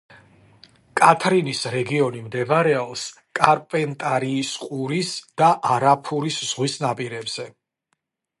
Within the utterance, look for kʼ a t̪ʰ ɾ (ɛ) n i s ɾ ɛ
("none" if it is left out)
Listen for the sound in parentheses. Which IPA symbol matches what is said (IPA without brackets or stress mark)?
i